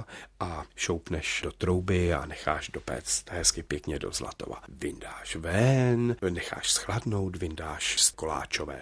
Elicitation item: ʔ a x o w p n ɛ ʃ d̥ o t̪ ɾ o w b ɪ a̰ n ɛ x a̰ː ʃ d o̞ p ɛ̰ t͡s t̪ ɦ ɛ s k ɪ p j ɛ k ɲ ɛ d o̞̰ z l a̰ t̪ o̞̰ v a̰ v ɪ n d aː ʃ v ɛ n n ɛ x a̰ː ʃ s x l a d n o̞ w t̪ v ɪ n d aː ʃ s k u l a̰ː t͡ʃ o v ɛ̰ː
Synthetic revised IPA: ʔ a ʃ o w p n ɛ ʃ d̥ o t̪ ɾ o w b ɪ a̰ n ɛ x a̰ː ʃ d o̞ p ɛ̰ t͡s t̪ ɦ ɛ s k ɪ p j ɛ k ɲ ɛ d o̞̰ z l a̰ t̪ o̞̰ v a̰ v ɪ n d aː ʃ v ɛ n n ɛ x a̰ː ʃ s x l a d n o̞ w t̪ v ɪ n d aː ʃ s k o l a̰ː t͡ʃ o v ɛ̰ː